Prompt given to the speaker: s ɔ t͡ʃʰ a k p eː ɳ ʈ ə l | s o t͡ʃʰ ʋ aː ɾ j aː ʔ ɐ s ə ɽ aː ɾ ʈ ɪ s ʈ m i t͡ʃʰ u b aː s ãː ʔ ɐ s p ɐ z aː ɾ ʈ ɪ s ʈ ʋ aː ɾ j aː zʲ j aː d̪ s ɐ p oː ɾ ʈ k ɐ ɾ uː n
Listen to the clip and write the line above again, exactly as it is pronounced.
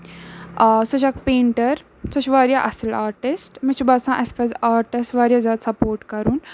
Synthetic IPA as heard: s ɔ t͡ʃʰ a k p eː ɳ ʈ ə ɾ | s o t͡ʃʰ ʋ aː ɾ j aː ʔ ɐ s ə l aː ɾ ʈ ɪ s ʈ m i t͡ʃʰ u b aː s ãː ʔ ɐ s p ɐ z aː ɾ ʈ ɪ s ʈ ʋ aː ɾ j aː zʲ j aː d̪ s ɐ p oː ɾ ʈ k ɐ ɾ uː n